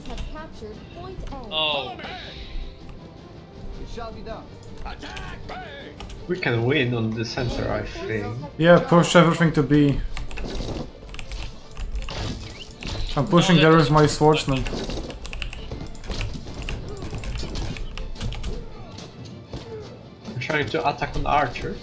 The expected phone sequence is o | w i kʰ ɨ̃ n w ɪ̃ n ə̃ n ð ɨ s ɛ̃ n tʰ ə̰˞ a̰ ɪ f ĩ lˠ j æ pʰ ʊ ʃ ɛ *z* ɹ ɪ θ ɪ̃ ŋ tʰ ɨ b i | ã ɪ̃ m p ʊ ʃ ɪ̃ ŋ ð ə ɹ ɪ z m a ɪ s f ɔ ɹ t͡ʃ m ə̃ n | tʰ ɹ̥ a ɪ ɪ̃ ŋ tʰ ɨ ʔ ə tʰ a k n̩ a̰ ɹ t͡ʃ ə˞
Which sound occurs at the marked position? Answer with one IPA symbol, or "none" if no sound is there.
v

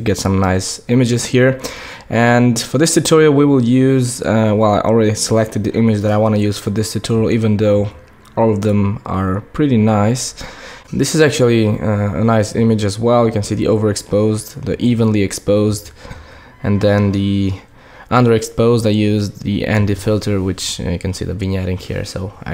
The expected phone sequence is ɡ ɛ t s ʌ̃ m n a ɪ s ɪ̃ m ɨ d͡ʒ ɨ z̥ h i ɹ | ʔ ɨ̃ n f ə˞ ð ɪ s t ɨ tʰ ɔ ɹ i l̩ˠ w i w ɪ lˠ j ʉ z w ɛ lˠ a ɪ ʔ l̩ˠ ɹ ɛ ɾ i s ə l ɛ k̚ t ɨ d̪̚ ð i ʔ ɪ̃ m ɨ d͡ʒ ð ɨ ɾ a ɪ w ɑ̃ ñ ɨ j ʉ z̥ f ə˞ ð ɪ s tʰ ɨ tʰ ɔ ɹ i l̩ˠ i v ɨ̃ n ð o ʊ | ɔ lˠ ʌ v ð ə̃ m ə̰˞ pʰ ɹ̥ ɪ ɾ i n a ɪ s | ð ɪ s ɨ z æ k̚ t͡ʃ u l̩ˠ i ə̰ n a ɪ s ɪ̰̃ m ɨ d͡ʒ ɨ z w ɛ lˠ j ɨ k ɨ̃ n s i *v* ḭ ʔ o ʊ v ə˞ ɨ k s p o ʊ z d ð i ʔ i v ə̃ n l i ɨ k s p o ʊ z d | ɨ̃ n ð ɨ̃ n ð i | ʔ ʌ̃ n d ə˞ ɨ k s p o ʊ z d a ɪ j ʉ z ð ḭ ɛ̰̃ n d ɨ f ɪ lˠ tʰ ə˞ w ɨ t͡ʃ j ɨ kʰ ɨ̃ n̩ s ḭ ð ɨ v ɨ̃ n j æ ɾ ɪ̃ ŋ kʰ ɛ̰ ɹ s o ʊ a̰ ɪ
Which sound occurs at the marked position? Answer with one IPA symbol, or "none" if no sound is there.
ð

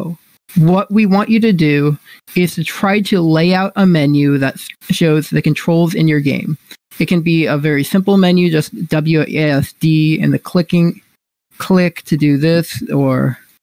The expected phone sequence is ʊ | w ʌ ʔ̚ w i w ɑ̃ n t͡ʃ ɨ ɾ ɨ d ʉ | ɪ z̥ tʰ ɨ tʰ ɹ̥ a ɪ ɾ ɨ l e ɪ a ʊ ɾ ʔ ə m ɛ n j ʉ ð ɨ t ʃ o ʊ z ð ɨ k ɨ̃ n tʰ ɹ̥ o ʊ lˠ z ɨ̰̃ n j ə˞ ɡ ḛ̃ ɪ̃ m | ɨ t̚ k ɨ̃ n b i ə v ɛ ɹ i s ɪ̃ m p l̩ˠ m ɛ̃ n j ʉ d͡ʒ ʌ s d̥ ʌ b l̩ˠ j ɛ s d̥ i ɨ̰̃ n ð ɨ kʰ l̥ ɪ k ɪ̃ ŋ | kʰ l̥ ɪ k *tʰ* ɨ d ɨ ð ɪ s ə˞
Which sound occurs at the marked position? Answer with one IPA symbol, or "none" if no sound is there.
tʰ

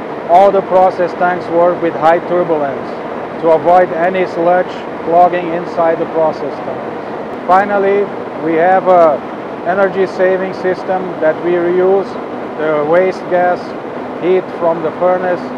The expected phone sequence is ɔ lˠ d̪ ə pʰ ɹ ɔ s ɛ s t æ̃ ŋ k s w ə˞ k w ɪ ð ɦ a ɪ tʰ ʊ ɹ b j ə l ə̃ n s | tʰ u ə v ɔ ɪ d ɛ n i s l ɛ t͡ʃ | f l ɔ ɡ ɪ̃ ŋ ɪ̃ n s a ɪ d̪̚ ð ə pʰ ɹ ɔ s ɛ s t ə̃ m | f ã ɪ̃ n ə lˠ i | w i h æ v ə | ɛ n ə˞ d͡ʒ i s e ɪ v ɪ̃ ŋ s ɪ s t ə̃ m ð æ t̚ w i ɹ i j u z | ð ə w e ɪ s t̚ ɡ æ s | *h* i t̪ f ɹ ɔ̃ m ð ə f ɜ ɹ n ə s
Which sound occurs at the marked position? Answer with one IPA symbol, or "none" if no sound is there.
h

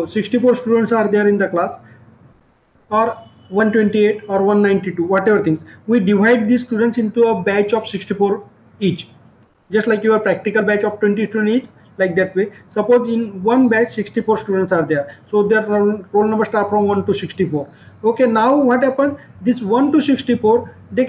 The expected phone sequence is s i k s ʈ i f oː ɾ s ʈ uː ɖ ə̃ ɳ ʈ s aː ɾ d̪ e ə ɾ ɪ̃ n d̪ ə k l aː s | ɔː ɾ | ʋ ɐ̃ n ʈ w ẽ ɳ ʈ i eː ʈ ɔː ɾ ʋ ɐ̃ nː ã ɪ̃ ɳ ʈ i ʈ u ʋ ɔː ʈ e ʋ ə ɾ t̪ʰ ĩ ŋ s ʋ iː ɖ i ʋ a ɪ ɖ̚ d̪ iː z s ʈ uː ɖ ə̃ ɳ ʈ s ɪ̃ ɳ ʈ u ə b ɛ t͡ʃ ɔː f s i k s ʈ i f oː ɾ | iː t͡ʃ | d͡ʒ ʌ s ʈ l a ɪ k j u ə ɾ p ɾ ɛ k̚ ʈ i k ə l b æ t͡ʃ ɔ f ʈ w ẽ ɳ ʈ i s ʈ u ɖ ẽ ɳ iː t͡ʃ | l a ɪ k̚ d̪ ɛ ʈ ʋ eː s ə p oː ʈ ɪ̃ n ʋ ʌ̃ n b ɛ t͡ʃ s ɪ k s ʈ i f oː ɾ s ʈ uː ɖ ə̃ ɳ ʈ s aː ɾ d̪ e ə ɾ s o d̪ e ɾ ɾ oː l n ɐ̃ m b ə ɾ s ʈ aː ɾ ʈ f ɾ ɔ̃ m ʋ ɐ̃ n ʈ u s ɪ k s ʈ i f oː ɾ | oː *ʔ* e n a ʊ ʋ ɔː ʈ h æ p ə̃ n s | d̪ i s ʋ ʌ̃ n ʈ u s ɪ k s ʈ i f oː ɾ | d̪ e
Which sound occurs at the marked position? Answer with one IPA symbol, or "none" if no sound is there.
k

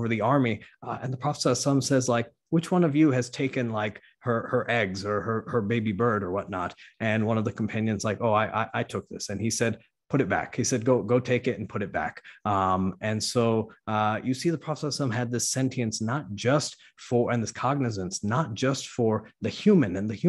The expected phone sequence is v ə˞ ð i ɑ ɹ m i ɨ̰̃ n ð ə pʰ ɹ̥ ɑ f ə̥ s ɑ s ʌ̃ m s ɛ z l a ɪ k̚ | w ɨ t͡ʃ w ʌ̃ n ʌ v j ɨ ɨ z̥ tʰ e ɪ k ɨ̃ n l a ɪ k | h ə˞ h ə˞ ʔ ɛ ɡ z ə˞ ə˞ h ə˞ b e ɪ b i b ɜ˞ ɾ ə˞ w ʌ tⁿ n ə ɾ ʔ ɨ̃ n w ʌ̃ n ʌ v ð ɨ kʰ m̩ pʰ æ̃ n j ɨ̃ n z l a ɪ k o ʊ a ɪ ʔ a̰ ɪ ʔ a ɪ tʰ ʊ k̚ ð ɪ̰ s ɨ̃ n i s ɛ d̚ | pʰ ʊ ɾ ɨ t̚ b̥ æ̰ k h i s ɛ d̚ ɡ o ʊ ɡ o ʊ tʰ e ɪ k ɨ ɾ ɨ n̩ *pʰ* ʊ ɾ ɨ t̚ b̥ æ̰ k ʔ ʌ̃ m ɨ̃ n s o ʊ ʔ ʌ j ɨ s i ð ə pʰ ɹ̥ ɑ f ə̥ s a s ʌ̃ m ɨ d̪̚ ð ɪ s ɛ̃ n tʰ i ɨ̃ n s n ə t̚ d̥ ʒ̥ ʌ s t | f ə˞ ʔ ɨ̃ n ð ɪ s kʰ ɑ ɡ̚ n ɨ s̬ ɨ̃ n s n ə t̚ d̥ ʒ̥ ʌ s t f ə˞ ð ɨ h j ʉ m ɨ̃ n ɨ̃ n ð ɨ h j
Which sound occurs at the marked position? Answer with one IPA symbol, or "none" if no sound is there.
pʰ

